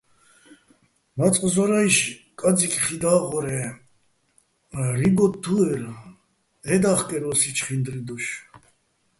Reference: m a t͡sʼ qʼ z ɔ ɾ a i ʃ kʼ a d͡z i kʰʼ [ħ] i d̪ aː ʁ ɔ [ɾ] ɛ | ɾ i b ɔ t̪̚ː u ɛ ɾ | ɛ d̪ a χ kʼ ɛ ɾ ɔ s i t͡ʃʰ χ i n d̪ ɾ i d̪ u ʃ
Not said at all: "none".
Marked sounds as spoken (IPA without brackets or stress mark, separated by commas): χ, ɾ